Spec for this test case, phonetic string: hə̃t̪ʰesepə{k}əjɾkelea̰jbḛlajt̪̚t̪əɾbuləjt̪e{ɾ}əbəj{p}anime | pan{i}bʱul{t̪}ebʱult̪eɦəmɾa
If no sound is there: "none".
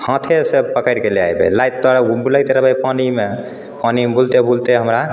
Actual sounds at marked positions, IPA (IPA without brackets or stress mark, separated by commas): k, ɾ, p, i, t̪